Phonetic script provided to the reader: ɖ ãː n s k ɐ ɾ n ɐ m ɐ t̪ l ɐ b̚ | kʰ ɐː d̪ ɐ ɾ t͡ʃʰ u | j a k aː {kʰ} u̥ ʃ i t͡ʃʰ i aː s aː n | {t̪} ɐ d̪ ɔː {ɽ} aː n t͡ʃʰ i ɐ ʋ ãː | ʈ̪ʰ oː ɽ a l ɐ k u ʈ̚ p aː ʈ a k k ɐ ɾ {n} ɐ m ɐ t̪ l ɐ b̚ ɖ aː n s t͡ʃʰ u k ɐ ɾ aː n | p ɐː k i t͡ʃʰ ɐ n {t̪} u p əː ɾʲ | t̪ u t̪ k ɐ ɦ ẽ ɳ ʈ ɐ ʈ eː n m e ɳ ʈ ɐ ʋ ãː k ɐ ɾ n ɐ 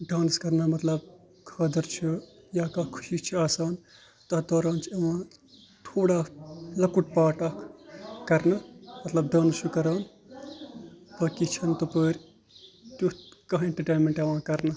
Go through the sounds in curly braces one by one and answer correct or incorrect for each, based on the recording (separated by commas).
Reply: correct, correct, incorrect, correct, correct